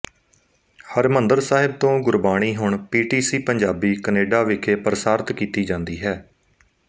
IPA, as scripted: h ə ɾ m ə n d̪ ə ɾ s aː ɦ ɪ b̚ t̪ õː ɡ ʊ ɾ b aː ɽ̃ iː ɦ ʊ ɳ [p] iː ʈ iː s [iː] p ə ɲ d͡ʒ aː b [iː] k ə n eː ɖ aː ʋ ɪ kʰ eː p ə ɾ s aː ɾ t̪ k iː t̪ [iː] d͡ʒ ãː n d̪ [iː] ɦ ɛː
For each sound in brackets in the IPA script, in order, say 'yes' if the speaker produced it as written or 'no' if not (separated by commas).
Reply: yes, yes, yes, yes, yes